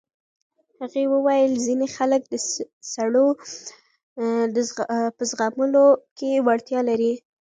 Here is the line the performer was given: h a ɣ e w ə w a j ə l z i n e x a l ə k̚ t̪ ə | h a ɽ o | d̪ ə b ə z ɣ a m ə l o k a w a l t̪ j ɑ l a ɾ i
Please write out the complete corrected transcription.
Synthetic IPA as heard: h a ɣ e w ə w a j ə l z i n e x a l ə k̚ d̪ ə | s a ɽ o | d̪ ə p ə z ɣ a m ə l o k e w a ɽ t̪ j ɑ l a ɾ i